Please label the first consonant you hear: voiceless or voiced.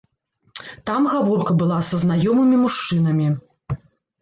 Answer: voiceless